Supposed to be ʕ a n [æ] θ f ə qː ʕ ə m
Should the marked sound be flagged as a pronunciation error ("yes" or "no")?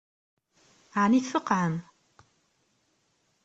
yes